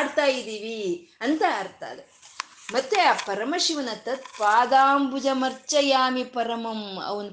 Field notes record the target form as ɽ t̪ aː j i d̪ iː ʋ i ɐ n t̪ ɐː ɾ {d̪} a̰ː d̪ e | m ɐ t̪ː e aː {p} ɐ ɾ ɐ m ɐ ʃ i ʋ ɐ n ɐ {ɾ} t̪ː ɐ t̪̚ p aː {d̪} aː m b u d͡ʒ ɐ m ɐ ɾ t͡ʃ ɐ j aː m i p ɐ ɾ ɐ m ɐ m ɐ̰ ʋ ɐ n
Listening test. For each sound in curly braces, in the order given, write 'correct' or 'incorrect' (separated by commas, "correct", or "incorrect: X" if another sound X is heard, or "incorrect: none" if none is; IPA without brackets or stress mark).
incorrect: t̪, correct, incorrect: none, correct